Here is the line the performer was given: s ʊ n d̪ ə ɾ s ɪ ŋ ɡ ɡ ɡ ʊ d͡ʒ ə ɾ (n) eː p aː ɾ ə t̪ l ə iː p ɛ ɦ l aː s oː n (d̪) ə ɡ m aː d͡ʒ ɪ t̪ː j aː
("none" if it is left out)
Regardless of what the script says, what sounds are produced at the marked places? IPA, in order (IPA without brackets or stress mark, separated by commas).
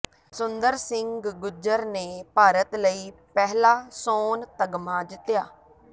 n, t̪